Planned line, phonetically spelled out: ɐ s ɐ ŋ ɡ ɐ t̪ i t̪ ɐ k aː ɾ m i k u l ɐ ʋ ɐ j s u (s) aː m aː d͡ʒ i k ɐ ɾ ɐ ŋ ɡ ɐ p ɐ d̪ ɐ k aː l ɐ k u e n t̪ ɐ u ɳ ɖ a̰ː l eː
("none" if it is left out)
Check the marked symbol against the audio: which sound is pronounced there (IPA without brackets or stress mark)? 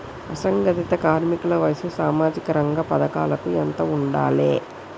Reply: s